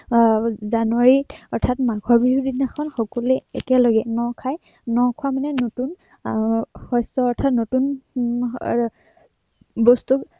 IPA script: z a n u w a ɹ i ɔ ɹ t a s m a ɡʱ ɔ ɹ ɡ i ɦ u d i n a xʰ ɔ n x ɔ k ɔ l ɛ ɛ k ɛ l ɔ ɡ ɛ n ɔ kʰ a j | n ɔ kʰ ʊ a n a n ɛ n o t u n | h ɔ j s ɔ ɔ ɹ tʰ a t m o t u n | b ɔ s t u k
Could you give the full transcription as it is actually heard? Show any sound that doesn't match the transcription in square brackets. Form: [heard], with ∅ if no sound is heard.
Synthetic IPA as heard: z a n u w a ɹ i ɔ ɹ [tʰ] a [t] m a ɡʱ ɔ ɹ [b] i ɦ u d i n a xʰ ɔ n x ɔ k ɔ l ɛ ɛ k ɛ l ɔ ɡ ɛ n ɔ kʰ a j | n ɔ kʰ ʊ a [m] a n ɛ n o t u n | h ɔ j s ɔ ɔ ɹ tʰ a t [n] o t u n | b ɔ s t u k